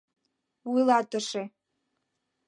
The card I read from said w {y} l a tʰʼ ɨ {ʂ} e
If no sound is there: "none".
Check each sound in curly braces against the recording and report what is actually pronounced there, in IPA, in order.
i, ʂ

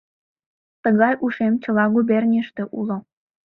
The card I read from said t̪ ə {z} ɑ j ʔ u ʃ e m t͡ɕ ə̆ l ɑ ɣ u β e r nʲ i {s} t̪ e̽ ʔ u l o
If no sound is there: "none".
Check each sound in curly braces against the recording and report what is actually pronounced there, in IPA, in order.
ɣ, ʃ

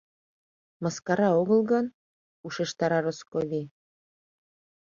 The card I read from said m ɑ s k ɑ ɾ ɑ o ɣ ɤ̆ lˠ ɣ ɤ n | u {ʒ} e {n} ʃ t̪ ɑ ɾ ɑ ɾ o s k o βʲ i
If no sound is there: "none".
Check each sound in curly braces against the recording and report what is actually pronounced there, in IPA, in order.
ʃ, none

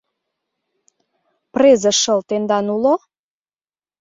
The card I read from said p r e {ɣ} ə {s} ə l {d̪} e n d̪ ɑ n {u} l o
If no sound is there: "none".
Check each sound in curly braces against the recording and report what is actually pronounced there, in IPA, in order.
z, ʃ, t̪, u

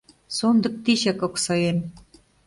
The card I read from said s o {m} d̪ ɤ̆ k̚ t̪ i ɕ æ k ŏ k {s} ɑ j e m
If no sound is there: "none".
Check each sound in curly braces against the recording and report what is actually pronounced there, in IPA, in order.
n, s

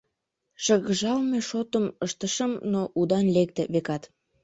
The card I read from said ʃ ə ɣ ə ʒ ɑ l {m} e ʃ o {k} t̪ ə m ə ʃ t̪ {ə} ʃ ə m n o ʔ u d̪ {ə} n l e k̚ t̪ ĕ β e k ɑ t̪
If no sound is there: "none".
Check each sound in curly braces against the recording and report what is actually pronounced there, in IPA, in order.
m, none, ə, ɑ

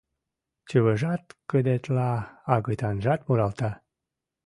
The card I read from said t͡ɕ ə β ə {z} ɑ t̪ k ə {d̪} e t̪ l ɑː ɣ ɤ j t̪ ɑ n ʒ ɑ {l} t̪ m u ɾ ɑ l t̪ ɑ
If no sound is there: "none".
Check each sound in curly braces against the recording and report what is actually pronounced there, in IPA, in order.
ʒ, d̪, none

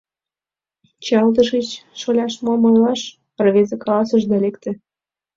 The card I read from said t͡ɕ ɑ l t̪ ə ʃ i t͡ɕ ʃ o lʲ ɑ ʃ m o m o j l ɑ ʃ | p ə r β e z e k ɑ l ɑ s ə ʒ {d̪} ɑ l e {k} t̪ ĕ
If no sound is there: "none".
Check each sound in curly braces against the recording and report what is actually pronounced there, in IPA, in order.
d̪, k

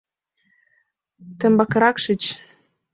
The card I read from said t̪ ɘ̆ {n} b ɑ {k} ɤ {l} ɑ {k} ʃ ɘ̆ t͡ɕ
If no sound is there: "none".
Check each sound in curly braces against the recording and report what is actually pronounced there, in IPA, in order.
m, k, ɾ, k

